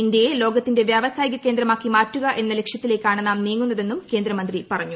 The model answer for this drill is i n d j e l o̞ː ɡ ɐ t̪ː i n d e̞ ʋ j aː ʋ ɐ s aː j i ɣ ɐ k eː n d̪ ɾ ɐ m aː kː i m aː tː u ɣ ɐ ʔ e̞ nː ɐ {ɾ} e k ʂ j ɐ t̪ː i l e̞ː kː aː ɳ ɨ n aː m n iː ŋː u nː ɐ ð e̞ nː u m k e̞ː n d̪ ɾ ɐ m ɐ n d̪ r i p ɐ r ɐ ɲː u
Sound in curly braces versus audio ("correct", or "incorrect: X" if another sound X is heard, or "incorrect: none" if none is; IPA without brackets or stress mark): incorrect: l